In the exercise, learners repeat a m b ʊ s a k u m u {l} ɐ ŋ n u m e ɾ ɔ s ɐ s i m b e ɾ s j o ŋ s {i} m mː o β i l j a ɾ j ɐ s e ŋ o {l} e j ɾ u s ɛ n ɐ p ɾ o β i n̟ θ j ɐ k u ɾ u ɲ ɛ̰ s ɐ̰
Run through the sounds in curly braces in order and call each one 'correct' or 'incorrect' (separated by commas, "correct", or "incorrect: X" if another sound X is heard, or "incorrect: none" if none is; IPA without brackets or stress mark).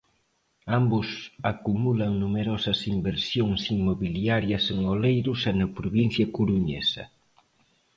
correct, correct, correct